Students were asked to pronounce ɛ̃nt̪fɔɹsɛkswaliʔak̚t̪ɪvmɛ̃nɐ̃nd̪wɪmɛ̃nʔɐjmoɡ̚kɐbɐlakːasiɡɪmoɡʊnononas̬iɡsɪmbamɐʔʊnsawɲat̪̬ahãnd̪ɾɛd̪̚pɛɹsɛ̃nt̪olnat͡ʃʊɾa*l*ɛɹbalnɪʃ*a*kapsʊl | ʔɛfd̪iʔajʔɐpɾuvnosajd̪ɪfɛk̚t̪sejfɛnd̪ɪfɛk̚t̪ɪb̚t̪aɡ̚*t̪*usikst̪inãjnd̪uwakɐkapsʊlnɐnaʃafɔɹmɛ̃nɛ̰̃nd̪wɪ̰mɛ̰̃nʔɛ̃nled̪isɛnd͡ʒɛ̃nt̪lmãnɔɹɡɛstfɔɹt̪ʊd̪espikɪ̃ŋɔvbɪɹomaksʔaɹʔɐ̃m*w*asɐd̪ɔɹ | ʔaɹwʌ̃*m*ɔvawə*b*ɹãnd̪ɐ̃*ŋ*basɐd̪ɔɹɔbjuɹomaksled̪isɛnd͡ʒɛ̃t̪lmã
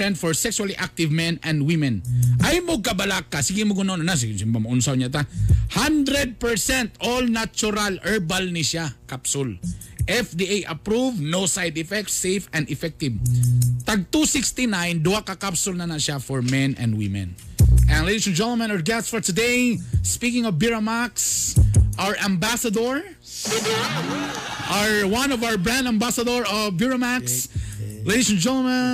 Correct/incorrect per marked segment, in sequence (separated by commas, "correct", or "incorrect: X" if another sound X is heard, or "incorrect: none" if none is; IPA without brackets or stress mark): correct, correct, correct, incorrect: b, incorrect: n, correct, incorrect: m